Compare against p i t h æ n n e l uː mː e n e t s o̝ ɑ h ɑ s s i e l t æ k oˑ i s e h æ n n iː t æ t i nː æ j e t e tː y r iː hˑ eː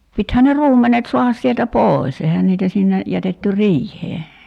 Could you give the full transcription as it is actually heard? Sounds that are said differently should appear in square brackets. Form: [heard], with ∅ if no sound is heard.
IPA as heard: p i t h æ n n e [r] uː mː e n e t s o̝ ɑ h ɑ s s i e l t æ [p] oˑ i s e h æ n n iː t æ [s] i nː [e] j [æ] t e tː y r iː hˑ eː